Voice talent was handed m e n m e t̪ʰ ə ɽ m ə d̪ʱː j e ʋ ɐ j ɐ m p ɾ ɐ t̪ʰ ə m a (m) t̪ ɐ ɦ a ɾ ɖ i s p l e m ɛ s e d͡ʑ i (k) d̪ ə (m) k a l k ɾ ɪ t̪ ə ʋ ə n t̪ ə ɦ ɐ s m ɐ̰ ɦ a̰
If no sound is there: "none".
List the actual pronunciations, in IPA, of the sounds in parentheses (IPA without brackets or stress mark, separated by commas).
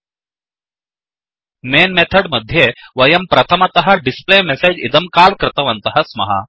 none, none, m